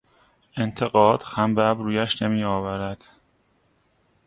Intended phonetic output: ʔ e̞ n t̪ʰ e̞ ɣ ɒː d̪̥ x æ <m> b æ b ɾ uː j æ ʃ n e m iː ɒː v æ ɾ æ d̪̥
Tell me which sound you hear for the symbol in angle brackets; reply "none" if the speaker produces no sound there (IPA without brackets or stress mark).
m